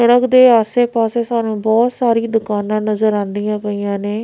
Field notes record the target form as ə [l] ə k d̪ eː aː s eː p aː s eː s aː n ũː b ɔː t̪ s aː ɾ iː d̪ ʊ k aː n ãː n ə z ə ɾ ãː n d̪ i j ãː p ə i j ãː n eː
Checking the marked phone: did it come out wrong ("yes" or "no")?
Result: yes